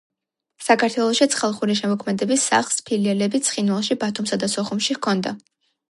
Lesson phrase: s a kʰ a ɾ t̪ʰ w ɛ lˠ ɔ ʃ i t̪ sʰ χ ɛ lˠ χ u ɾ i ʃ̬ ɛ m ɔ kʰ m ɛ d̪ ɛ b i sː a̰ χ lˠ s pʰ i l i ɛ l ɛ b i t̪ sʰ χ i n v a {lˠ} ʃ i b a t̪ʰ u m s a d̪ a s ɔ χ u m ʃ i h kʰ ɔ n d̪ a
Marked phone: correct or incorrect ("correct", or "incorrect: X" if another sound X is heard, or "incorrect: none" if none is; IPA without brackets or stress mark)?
correct